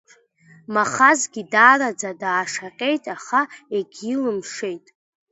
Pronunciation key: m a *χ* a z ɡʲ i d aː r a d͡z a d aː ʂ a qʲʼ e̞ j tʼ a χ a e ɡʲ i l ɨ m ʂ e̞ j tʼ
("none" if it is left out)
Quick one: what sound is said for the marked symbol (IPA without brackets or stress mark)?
χ